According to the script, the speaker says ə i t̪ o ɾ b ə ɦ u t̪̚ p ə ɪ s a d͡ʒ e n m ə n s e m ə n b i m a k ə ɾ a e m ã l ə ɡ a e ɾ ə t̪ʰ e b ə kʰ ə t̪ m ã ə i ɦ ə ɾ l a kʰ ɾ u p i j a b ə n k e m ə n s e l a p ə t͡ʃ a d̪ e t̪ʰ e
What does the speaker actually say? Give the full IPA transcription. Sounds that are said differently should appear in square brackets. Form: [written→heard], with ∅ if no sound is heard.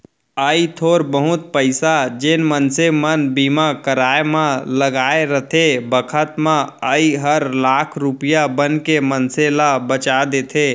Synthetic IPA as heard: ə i [t̪→t̪ʰ] o ɾ b ə ɦ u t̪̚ p ə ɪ s a d͡ʒ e n m ə n s e m ə n b i m a k ə ɾ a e m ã l ə ɡ a e ɾ ə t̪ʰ e b ə kʰ ə t̪ m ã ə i ɦ ə ɾ l a kʰ ɾ u p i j a b ə n k e m ə n s e l a [p→b] ə t͡ʃ a d̪ e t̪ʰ e